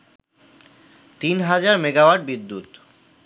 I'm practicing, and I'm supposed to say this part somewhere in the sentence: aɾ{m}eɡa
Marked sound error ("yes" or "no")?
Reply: no